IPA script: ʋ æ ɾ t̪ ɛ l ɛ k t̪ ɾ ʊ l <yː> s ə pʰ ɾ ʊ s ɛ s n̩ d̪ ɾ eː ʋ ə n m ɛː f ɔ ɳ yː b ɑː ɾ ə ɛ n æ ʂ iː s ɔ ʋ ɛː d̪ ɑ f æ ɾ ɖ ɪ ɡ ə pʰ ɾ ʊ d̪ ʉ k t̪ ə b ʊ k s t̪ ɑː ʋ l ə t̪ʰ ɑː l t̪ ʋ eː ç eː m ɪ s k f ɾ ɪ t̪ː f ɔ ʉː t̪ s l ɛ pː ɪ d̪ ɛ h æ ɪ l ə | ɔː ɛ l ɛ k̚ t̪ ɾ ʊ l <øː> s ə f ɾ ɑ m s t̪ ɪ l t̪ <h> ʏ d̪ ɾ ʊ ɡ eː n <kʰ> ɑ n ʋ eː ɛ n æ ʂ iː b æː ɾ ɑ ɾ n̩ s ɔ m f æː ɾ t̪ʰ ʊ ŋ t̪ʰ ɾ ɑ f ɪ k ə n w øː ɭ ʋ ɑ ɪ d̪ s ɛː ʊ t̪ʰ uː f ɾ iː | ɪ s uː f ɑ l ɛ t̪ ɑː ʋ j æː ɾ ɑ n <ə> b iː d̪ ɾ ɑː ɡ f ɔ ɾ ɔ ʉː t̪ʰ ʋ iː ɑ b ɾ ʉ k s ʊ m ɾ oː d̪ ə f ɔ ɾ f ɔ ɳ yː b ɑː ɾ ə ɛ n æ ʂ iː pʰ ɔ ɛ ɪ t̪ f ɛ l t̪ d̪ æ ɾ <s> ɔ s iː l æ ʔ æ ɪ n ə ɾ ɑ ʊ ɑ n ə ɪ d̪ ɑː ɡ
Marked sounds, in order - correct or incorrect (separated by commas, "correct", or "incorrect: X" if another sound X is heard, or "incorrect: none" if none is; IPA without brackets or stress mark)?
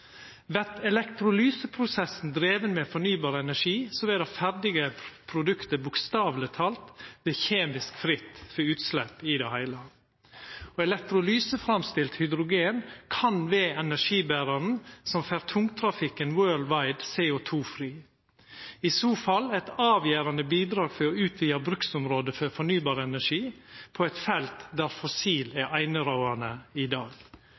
correct, incorrect: yː, correct, correct, correct, incorrect: f